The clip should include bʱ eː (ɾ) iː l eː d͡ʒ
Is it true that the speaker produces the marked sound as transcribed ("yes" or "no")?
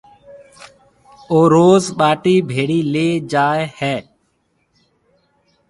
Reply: no